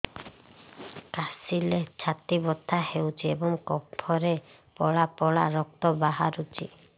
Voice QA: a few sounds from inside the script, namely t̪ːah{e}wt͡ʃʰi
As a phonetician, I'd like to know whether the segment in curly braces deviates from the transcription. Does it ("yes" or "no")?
no